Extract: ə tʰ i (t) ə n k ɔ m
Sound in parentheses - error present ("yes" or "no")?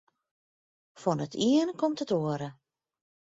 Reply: yes